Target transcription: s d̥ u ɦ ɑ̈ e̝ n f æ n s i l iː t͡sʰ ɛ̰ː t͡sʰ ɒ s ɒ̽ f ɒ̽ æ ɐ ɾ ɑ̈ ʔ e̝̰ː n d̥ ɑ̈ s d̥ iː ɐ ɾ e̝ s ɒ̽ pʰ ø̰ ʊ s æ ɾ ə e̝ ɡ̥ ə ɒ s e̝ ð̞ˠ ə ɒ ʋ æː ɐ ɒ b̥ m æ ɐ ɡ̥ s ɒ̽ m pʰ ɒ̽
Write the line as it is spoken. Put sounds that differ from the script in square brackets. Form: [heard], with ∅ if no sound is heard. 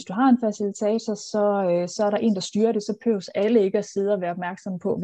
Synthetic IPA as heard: s d̥ u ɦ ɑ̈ e̝ n f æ [∅] s i l [i] t͡sʰ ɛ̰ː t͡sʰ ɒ s ɒ̽ [s] ɒ̽ æ ɐ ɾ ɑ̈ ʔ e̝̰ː n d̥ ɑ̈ s d̥ [yː] ɐ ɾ e̝ s ɒ̽ pʰ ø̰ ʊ s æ [l] ə e̝ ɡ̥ ə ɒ s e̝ ð̞ˠ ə ɒ ʋ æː ɐ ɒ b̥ m æ ɐ ɡ̥ s ɒ̽ m pʰ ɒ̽